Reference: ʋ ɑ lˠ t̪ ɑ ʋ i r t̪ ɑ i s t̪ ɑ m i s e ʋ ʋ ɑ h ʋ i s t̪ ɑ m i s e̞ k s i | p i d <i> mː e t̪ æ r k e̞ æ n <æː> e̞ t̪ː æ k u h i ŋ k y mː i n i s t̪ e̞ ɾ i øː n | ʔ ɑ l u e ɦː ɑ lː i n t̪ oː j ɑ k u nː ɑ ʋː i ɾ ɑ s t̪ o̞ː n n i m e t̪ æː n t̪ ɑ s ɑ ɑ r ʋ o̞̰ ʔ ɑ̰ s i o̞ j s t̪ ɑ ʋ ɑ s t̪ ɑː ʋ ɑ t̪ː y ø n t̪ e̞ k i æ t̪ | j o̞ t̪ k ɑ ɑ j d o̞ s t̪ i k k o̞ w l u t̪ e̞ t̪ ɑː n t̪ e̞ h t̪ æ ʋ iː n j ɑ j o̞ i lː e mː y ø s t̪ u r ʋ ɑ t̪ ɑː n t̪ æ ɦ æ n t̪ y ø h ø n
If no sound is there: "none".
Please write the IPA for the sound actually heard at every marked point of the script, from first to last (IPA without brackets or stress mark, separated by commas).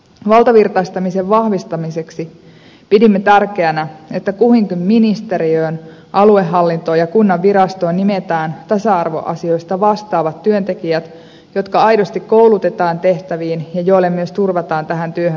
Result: i, æ